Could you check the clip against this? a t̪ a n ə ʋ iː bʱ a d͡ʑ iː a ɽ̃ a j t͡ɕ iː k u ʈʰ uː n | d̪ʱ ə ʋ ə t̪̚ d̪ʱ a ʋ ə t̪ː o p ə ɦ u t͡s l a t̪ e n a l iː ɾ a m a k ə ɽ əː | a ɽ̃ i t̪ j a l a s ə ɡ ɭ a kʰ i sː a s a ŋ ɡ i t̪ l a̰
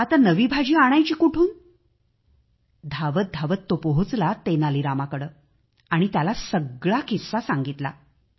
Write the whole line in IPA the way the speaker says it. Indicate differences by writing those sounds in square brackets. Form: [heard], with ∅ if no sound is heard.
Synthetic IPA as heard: a t̪ a n ə ʋ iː bʱ a d͡ʑ iː a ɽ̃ a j t͡ɕ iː k u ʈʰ uː n | d̪ʱ [a] ʋ ə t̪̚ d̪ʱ a ʋ ə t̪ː o p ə ɦ u t͡s l a t̪ e n a l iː ɾ a m a k ə ɽ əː | a ɽ̃ i t̪ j a l a s ə ɡ ɭ a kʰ i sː a s a ŋ ɡ i t̪ l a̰